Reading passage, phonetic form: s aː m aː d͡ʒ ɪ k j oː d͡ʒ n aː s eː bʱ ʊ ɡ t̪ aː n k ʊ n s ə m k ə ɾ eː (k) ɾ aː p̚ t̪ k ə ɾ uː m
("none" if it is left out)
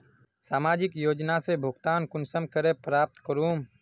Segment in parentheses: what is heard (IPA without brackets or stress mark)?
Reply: p